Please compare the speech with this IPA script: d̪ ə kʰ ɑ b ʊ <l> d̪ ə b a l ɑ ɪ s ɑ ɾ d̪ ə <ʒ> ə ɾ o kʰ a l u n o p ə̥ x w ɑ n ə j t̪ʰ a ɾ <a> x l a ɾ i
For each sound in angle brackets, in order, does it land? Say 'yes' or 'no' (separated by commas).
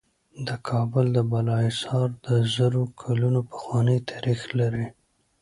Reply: yes, no, no